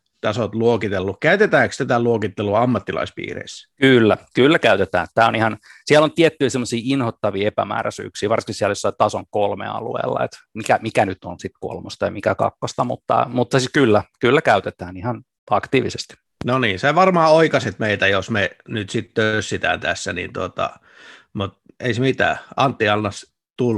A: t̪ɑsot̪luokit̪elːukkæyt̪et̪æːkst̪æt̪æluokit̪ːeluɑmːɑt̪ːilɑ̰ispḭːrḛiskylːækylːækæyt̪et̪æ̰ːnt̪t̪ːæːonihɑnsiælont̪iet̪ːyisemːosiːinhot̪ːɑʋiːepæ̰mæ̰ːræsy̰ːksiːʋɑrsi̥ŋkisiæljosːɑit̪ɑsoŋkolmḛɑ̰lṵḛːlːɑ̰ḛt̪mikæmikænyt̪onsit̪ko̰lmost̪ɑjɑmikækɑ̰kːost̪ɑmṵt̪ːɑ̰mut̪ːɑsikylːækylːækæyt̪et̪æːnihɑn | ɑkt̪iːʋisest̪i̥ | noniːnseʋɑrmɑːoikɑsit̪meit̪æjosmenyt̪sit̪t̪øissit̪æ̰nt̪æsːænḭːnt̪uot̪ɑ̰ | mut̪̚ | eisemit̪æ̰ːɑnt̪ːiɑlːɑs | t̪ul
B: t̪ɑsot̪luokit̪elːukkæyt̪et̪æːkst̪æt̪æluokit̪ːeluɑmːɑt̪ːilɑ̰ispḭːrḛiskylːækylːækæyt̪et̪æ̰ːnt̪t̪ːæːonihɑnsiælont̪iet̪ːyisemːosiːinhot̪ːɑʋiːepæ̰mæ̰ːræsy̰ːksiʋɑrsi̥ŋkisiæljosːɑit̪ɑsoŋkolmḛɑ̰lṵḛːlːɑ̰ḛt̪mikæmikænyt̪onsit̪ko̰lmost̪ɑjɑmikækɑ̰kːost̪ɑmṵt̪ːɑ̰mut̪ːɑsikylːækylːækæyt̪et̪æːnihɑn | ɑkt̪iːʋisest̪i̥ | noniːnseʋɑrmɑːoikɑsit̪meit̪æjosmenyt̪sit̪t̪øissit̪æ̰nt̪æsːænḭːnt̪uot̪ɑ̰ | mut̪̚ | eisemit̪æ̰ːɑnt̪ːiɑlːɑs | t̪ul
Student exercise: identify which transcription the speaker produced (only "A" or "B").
A